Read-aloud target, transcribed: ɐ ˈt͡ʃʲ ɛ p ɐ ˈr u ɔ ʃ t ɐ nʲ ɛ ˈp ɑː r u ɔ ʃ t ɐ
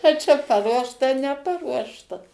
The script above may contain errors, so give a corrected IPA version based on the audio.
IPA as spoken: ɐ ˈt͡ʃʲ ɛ p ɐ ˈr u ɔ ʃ t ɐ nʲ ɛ ˈp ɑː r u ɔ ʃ t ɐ